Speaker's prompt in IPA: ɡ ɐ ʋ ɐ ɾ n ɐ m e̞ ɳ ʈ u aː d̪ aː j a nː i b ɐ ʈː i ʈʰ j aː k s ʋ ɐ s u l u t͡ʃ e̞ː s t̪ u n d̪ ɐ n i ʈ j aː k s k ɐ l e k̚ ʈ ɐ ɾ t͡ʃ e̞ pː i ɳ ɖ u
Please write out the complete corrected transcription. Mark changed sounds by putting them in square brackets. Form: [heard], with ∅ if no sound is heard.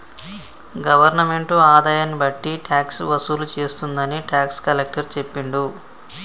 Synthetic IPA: ɡ ɐ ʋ ɐ ɾ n ɐ m e̞ ɳ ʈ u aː d̪ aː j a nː i b ɐ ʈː i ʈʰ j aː k s ʋ ɐ s u l u t͡ʃ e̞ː s t̪ u n d̪ ɐ n i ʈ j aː k s k ɐ l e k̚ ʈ ɐ ɾ t͡ʃ e̞ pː i ɳ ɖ u